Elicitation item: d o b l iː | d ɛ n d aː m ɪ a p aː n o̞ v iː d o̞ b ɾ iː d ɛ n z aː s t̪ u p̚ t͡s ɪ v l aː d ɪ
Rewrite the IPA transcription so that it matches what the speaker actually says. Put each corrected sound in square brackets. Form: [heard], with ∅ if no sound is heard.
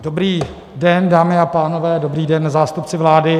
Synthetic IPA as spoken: d o b [ɾ] iː | d ɛ n d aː m ɪ a p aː n o̞ v [ɛː] d o̞ b ɾ iː d ɛ n z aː s t̪ u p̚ t͡s ɪ v l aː d ɪ